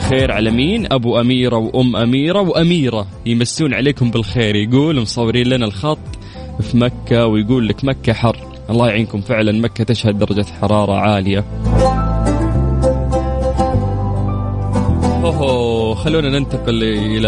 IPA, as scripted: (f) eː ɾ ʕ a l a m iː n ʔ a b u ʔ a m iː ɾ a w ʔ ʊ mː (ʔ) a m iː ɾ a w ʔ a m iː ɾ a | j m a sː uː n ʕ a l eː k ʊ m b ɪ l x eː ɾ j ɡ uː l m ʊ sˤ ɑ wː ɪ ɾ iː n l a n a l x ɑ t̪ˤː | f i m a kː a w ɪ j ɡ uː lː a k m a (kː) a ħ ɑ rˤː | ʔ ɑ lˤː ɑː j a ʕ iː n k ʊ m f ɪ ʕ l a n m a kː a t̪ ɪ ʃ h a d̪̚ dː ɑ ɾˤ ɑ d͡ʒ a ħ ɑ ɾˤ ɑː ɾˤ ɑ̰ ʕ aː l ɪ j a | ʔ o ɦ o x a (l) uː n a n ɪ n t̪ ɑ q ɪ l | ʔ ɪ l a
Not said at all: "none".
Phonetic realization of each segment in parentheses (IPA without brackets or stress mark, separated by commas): x, ʔ, kː, lː